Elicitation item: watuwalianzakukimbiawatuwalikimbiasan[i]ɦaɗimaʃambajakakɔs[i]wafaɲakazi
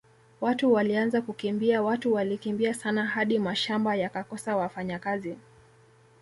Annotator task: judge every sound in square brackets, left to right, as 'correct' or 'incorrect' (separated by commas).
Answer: incorrect, incorrect